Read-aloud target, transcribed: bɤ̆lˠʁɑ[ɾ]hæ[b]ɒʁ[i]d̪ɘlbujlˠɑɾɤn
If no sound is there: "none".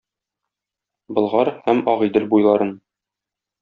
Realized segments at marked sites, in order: ɾ, m, i

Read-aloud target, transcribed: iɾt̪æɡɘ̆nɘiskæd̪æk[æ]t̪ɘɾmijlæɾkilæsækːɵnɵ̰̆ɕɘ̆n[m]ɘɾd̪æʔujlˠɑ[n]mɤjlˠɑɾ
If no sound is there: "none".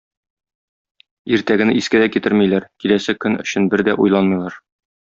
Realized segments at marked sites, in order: i, b, n

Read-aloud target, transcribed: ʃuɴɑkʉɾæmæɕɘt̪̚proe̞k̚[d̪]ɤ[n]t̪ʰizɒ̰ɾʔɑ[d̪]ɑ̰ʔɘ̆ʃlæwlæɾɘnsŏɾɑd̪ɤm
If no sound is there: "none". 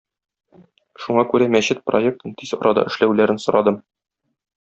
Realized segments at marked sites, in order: t̪, n, d̪

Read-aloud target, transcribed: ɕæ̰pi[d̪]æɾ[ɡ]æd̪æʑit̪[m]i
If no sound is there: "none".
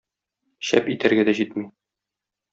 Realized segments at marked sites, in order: t̪, ɡ, m

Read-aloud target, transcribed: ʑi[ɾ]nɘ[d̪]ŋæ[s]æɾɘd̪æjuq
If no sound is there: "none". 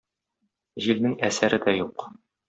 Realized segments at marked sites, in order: l, none, s

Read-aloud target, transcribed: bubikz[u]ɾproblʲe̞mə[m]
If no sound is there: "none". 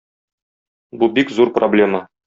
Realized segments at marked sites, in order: u, none

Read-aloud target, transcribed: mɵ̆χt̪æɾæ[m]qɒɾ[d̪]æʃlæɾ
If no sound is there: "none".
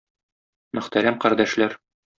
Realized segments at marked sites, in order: m, d̪

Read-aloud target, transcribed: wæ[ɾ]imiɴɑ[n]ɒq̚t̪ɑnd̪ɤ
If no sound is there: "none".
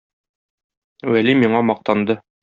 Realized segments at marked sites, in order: l, m

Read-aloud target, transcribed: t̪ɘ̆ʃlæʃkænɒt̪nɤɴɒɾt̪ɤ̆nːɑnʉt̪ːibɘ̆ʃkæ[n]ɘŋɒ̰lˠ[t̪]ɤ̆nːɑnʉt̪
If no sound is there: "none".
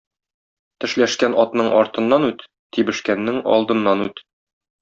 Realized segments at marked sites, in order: nː, d̪

